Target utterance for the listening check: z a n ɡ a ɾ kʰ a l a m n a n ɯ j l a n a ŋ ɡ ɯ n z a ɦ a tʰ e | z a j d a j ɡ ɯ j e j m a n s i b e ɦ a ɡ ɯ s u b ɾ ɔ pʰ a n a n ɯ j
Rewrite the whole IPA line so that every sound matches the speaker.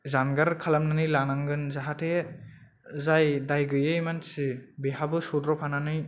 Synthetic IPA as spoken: z a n ɡ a ɾ kʰ a l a m n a n ɯ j l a n a ŋ ɡ ɯ n z a ɦ a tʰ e | z a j d a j ɡ ɯ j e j m a n s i b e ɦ a b ɯ s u d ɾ ɔ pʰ a n a n ɯ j